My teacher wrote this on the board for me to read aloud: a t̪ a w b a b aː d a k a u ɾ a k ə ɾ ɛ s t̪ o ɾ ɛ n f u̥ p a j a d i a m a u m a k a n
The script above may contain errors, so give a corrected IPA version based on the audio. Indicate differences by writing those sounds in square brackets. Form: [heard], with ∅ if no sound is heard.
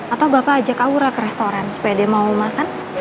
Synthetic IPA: a t̪ a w b a [p] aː [d͡ʒ] a k a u ɾ a k ə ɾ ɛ s t̪ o ɾ [a] n [s] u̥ p a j a d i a m a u m a k a n